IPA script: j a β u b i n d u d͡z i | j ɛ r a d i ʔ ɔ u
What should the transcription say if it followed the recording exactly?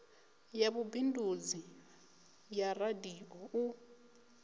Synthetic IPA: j a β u b i n d u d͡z i | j a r a d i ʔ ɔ u